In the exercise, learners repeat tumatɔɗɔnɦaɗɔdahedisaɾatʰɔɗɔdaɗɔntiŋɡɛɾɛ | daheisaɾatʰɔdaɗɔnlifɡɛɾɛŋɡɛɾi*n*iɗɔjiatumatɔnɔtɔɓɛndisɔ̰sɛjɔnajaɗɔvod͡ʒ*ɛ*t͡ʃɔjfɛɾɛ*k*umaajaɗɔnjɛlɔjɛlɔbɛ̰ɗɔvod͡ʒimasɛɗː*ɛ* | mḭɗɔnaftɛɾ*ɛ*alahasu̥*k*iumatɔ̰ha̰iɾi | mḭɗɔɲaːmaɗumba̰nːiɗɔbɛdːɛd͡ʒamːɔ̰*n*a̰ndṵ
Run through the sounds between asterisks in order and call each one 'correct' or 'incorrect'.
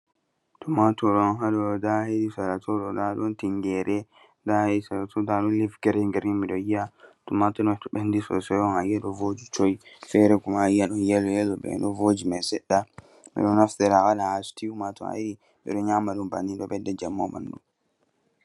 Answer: incorrect: m, incorrect: i, correct, incorrect: a, incorrect: a, incorrect: t, incorrect: m

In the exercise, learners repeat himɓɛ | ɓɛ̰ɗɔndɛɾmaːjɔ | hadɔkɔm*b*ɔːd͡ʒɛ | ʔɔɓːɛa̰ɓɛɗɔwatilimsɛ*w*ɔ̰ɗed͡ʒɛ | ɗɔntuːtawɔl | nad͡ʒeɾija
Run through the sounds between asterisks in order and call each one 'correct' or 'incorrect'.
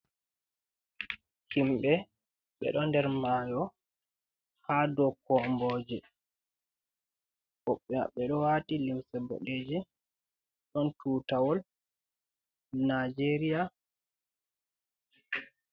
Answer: correct, incorrect: b

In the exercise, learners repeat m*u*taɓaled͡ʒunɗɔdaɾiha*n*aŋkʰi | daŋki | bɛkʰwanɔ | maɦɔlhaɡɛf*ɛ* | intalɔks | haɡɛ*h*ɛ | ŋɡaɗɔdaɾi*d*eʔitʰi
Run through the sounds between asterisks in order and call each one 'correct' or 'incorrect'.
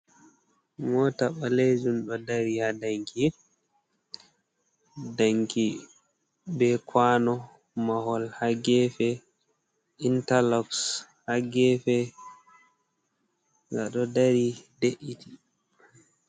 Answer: incorrect: ɔ, incorrect: d, correct, incorrect: f, correct

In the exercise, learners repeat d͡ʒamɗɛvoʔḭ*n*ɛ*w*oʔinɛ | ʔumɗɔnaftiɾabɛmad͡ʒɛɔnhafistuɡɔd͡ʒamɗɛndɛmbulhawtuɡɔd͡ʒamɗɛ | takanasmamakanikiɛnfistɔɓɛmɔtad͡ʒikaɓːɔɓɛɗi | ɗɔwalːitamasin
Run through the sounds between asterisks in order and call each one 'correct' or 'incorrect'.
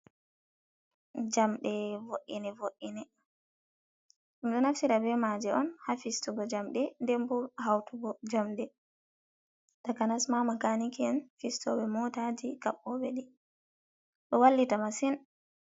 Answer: correct, incorrect: v

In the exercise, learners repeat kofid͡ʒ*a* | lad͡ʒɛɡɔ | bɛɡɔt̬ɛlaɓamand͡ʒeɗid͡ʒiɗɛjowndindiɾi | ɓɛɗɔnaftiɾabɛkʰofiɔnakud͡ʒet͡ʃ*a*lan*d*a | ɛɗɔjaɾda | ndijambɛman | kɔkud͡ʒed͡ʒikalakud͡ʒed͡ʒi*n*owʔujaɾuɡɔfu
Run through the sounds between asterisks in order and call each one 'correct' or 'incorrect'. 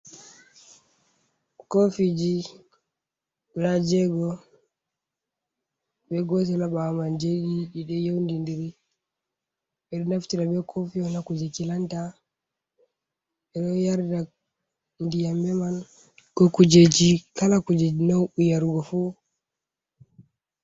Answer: incorrect: i, incorrect: i, incorrect: t, correct

